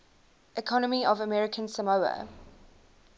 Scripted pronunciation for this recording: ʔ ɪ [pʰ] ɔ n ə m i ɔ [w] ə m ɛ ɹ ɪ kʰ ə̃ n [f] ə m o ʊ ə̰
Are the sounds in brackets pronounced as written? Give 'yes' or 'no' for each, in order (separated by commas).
no, no, no